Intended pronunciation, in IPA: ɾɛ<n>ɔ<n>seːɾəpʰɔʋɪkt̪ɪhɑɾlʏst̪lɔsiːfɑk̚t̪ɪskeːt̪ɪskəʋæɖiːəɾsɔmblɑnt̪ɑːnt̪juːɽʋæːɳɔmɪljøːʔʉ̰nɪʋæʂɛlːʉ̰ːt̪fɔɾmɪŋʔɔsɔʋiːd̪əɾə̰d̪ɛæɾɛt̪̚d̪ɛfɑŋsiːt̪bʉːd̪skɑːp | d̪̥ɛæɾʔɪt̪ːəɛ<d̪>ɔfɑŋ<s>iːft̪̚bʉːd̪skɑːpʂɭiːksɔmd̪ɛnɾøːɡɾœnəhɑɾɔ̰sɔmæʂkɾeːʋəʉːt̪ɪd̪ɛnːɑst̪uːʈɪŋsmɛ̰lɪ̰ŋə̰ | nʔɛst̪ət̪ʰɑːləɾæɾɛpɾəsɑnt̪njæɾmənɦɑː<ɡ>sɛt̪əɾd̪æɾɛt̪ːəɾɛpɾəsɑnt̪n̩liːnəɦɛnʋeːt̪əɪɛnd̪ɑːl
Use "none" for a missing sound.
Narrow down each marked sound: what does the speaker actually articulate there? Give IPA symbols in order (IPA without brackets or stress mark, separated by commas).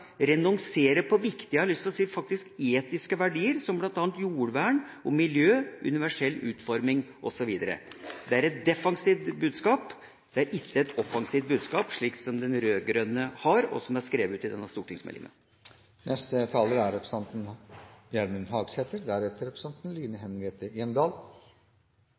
n, ŋ, t̪, s, ɡ